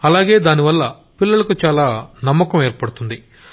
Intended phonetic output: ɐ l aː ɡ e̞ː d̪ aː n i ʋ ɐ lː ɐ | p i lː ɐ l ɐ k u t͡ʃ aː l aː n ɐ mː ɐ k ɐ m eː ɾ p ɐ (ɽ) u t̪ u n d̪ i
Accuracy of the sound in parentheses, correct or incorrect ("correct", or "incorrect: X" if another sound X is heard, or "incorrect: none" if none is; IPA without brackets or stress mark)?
correct